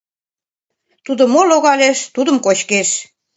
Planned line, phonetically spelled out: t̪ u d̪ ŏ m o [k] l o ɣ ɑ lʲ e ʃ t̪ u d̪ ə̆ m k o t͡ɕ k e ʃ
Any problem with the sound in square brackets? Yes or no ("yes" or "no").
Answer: yes